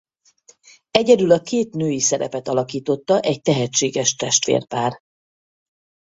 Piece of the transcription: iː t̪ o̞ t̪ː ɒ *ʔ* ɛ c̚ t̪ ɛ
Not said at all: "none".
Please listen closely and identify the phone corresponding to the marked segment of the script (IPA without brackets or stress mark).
ʔ